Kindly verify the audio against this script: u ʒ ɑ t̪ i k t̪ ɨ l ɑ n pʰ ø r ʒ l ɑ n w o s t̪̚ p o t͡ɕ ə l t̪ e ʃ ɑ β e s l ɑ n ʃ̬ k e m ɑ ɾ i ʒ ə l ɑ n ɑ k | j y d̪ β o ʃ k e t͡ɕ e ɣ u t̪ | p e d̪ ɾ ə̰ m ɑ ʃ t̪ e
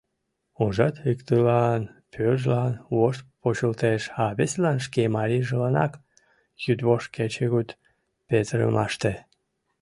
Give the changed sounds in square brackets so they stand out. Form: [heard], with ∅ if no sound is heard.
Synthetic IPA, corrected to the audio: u ʒ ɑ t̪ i k t̪ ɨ l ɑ n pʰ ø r ʒ l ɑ n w o [ʃ] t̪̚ p o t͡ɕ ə l t̪ e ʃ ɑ β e s l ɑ n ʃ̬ k e m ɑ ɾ i ʒ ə l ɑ n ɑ k | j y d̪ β o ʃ k e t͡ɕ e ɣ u t̪ | p e [t̪] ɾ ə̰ m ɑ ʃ t̪ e